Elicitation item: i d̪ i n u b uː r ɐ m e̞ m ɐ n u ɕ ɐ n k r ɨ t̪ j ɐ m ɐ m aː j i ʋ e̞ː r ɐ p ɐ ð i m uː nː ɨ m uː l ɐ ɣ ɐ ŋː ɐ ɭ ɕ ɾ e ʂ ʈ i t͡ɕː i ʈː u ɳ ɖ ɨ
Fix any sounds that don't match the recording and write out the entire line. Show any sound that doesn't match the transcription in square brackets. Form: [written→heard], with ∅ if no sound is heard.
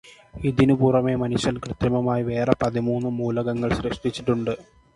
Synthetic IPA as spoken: i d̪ i n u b uː r ɐ m e̞ m ɐ n u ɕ ɐ n k r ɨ t̪ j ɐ m ɐ m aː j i ʋ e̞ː r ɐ p ɐ ð i m uː nː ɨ m uː l ɐ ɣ ɐ ŋː ɐ ɭ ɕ ɾ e ʂ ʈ i t͡ɕː i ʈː u ɳ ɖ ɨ